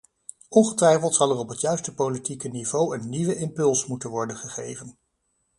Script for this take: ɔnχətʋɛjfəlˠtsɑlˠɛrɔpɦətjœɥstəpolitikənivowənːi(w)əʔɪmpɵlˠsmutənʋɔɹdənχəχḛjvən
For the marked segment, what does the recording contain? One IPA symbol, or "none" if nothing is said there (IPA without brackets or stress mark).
ʋ